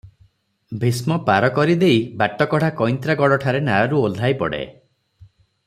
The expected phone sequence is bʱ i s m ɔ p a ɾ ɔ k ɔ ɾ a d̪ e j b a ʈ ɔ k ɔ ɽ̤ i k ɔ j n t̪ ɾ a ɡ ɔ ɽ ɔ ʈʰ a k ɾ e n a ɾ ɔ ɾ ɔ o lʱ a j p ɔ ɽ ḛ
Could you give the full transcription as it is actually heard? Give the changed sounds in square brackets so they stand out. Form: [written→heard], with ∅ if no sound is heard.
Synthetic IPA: bʱ i s m ɔ p a ɾ ɔ k ɔ ɾ [a→i] d̪ e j b a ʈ ɔ k ɔ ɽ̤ [i→a] k ɔ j n t̪ ɾ a ɡ ɔ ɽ ɔ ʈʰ a [k→∅] ɾ e n a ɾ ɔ ɾ [ɔ→u] o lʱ a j p ɔ ɽ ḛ